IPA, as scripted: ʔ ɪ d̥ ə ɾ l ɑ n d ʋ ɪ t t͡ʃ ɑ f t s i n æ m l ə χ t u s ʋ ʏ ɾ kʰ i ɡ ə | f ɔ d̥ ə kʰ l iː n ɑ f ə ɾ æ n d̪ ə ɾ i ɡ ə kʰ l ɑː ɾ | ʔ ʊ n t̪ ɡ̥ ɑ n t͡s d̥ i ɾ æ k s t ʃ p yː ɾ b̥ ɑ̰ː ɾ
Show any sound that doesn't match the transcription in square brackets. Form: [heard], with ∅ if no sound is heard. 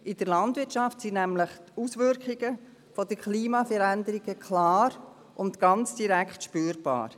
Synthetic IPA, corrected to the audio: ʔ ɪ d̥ ə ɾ l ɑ n d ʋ ɪ t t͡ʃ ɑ f t s i n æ m l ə χ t u s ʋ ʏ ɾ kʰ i ɡ ə | f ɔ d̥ ə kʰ l iː [m] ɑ f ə ɾ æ n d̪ ə ɾ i ɡ ə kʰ l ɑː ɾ | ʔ ʊ n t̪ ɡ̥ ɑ n t͡s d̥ i ɾ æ k [χ] t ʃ p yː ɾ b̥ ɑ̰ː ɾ